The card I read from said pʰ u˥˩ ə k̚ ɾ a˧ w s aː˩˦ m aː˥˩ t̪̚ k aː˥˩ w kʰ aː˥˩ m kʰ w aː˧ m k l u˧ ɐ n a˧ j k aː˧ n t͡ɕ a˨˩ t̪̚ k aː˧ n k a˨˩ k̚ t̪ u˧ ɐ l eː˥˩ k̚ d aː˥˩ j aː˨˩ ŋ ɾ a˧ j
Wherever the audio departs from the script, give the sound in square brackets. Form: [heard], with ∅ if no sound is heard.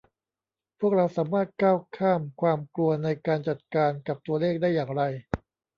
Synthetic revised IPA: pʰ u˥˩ ə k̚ ɾ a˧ w s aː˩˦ m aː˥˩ t̪̚ k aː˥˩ w kʰ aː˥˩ m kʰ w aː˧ m k l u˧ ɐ n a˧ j k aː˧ n t͡ɕ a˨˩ t̪̚ k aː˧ n k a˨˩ [p̚] t̪ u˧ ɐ l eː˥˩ k̚ d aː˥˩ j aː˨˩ ŋ ɾ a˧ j

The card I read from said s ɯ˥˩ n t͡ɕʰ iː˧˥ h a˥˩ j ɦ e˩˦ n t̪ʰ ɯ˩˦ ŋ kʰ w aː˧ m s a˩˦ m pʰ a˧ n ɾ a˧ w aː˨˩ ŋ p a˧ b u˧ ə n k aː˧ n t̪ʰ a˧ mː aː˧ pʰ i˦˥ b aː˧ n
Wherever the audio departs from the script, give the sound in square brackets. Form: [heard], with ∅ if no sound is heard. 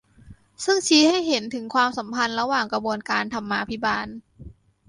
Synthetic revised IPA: s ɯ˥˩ [ŋ] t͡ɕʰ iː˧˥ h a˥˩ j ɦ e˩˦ n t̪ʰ ɯ˩˦ ŋ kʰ w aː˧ m s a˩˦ m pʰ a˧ n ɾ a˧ w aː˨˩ ŋ [k] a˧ b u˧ ə n k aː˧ n t̪ʰ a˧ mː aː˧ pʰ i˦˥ b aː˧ n

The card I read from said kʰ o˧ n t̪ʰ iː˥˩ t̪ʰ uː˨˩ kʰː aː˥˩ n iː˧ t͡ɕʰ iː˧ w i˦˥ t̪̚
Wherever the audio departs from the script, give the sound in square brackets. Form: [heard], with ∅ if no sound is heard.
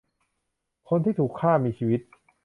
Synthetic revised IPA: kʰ o˧ n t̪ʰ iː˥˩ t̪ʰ uː˨˩ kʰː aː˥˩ [m] iː˧ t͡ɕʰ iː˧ w i˦˥ t̪̚

